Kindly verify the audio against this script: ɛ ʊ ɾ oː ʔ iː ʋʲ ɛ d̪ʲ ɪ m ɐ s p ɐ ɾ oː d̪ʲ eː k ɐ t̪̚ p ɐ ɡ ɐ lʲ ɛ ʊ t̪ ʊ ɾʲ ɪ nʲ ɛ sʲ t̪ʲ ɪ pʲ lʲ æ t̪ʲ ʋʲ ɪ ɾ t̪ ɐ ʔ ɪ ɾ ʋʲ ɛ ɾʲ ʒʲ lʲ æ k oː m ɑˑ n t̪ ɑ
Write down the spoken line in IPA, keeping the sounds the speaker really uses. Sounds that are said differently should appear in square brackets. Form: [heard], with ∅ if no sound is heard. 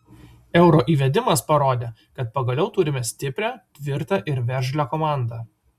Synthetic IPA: ɛ ʊ ɾ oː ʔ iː ʋʲ ɛ d̪ʲ ɪ m ɐ s p ɐ ɾ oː d̪ʲ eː k ɐ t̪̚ p ɐ ɡ ɐ lʲ ɛ ʊ t̪ ʊ ɾʲ ɪ [mʲ] ɛ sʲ t̪ʲ ɪ pʲ [ɾʲ] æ t̪ʲ ʋʲ ɪ ɾ t̪ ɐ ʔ ɪ ɾ ʋʲ ɛ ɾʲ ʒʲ lʲ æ k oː m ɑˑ n [d̪] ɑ